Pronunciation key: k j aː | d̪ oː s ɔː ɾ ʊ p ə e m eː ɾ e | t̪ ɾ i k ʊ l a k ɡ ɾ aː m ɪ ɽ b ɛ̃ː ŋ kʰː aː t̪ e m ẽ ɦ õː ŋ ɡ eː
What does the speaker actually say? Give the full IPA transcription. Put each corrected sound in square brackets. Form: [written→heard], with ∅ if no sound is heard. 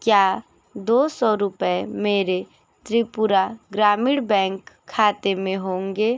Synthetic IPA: k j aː | d̪ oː s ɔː ɾ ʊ p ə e m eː ɾ e | t̪ ɾ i [k→p] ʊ [l→ɾ] a [k→∅] ɡ ɾ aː m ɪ ɽ b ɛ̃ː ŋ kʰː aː t̪ e m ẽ ɦ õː ŋ ɡ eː